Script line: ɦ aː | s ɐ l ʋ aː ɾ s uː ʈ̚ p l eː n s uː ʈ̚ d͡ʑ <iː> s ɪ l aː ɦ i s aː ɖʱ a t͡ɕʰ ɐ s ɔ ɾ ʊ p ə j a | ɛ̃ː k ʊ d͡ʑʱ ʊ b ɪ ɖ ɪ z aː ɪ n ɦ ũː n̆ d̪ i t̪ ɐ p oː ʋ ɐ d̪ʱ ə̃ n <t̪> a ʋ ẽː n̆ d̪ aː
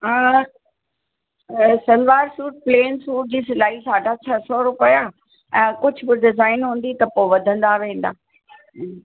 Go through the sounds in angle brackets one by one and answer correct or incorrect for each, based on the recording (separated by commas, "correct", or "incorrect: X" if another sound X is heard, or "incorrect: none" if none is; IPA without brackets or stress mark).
correct, incorrect: d̪